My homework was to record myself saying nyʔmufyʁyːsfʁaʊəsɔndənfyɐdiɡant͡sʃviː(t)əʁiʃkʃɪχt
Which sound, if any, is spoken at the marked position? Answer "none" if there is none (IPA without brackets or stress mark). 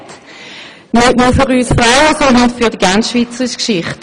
t͡s